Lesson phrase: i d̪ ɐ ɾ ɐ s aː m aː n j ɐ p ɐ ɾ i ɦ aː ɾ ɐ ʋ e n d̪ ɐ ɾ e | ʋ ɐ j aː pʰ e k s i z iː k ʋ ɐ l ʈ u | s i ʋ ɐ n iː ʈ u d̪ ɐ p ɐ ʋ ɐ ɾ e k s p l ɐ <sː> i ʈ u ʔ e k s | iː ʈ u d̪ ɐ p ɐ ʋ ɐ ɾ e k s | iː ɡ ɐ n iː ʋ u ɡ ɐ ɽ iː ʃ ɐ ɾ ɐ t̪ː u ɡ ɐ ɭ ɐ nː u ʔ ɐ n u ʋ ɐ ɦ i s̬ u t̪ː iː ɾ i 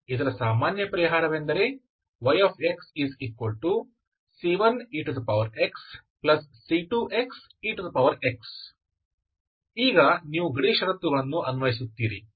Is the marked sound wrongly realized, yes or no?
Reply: no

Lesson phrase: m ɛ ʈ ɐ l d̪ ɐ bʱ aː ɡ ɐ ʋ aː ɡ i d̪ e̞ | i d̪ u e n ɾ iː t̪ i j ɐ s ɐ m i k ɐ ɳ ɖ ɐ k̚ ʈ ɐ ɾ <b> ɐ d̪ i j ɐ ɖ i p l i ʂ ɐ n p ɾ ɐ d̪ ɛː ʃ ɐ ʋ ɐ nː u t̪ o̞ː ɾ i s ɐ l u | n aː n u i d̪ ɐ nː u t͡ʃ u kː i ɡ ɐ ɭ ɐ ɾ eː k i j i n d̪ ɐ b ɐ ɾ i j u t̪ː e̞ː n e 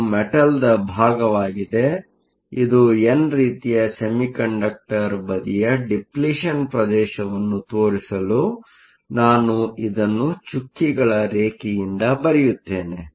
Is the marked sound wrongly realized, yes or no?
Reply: no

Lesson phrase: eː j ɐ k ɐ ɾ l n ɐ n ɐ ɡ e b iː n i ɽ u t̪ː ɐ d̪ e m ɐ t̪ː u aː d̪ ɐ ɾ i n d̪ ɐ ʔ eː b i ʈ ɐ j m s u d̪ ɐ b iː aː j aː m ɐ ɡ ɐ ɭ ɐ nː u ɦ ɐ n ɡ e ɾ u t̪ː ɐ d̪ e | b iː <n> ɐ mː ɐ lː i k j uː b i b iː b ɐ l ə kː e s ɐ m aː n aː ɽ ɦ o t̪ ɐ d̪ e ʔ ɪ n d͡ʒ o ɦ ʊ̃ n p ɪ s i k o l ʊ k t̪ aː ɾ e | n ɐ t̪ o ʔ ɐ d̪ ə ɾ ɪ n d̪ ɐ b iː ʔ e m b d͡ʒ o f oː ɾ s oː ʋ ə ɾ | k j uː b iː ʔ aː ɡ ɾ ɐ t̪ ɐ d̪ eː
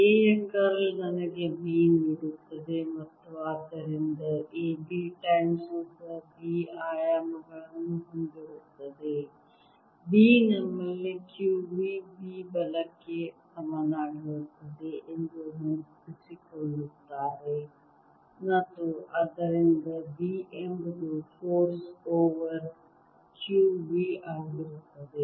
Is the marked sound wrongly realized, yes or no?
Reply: no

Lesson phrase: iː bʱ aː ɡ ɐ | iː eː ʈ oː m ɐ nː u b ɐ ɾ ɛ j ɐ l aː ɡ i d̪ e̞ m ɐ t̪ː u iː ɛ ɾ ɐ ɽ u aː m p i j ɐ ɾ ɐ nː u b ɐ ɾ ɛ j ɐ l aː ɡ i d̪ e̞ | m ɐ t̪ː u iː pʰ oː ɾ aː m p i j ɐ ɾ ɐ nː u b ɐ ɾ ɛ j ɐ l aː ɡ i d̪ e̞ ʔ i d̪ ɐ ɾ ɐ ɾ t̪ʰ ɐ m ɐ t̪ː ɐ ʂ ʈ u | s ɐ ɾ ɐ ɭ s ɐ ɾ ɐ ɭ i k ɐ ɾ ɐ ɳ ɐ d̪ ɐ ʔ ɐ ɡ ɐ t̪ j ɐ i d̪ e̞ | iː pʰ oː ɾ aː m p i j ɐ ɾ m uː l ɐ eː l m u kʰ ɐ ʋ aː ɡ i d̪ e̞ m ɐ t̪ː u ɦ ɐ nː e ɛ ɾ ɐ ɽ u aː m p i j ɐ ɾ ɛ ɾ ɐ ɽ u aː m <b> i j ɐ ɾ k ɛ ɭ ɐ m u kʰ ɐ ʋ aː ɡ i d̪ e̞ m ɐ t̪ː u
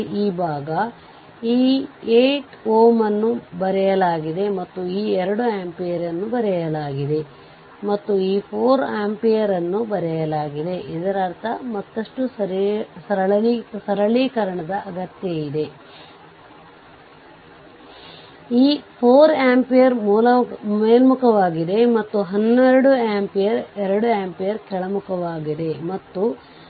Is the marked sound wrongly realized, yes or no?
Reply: yes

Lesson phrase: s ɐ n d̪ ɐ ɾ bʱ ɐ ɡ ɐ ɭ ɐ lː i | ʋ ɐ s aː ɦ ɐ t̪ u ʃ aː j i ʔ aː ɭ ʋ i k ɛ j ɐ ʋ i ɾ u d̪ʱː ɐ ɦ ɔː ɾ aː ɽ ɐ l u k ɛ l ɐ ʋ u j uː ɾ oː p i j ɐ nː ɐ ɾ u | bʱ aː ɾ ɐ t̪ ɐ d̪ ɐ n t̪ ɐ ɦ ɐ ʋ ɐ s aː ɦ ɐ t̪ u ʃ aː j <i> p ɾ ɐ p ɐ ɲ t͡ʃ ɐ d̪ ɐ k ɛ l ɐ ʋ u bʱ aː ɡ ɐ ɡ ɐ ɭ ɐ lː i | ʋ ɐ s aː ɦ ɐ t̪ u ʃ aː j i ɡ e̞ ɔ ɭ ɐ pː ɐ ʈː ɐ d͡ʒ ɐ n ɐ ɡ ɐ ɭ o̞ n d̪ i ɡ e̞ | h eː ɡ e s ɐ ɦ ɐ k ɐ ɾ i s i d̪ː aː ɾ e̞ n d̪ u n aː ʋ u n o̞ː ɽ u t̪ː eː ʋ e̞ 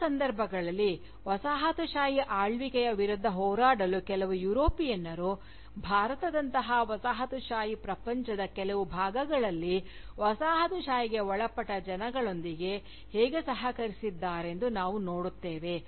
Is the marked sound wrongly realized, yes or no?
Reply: no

